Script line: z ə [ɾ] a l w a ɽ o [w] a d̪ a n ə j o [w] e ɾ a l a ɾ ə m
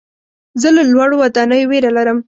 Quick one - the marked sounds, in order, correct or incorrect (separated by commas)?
incorrect, correct, correct